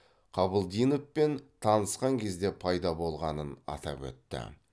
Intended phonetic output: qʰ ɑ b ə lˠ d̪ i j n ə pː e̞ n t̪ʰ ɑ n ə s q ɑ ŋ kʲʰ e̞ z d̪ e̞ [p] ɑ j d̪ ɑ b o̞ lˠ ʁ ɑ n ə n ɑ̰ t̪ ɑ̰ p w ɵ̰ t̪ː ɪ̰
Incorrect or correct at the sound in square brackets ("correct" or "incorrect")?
incorrect